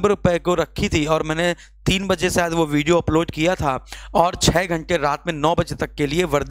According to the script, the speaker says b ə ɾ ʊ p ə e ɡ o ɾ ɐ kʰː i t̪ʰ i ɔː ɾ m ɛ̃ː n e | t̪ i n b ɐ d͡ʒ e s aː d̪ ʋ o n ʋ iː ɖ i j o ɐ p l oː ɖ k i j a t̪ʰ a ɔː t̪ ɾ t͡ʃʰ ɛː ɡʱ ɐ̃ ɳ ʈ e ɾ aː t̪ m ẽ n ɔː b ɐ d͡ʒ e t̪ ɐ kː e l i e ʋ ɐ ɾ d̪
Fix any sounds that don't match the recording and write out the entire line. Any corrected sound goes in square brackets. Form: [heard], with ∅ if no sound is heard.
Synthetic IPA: b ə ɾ ʊ p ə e [k] o ɾ ɐ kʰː i t̪ʰ i ɔː ɾ m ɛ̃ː n e | t̪ [iː] n b ɐ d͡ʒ e s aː d̪ ʋ o [∅] ʋ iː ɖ i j o ɐ p l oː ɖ k i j a t̪ʰ a ɔː [∅] ɾ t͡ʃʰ ɛː ɡʱ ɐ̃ ɳ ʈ e ɾ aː t̪ m ẽ n ɔː b ɐ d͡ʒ e t̪ ɐ kː e l i e ʋ ɐ ɾ d̪

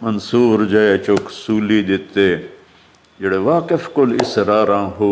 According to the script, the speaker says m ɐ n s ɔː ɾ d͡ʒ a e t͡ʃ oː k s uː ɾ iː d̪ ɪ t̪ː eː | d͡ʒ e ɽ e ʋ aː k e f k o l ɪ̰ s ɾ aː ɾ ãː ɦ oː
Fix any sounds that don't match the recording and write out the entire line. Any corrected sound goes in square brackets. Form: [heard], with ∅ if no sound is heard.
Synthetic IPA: m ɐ n s [uː] ɾ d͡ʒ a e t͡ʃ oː k s uː [l] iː d̪ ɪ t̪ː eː | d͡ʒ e ɽ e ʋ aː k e f k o l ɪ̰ s ɾ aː ɾ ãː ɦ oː

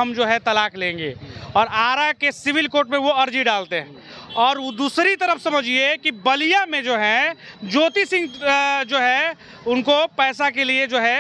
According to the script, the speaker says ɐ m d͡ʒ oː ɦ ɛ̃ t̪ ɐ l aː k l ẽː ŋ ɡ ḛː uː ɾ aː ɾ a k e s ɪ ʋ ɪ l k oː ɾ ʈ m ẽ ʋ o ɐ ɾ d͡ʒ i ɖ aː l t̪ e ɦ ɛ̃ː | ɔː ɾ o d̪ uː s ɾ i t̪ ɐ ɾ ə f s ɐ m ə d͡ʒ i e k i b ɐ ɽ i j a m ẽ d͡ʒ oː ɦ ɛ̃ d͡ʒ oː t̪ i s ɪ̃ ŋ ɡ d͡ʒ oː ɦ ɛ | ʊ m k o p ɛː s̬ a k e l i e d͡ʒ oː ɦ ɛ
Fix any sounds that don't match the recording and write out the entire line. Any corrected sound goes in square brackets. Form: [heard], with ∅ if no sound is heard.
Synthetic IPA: ɐ m d͡ʒ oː ɦ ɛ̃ t̪ ɐ l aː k l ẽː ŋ ɡ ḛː [ɔː] ɾ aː ɾ a k e s ɪ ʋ ɪ l k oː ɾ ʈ m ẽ ʋ o ɐ ɾ d͡ʒ i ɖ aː l t̪ e ɦ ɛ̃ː | ɔː ɾ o d̪ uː s ɾ i t̪ ɐ ɾ ə f s ɐ m ə d͡ʒ i e k i b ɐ [l] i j a m ẽ d͡ʒ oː ɦ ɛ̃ d͡ʒ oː t̪ i s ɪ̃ ŋ ɡ d͡ʒ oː ɦ ɛ | ʊ [n] k o p ɛː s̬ a k e l i e d͡ʒ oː ɦ ɛ

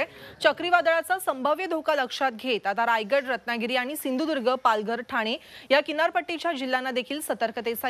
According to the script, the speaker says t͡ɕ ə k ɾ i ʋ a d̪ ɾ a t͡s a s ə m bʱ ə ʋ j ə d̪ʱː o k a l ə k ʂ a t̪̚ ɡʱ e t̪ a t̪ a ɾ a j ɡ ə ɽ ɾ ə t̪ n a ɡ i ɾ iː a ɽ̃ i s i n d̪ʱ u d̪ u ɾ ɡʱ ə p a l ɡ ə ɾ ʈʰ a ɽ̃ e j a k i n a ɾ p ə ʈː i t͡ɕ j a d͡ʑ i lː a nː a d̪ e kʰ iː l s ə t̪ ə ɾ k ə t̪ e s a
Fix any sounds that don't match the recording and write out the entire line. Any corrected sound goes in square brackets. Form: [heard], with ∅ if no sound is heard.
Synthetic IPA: t͡ɕ ə k ɾ i ʋ a d̪ [ɭ] a t͡s a s ə m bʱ ə ʋ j ə [d̪ʱ] o k a l ə k ʂ a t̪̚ ɡʱ e t̪ a t̪ a ɾ a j ɡ ə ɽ ɾ ə t̪ n a ɡ i ɾ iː a ɽ̃ i s i n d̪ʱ u d̪ u ɾ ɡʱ ə p a l ɡ ə ɾ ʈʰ a ɽ̃ e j a k i n a ɾ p ə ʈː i t͡ɕ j a d͡ʑ i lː a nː a d̪ e kʰ iː l s ə t̪ ə ɾ k ə t̪ e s a

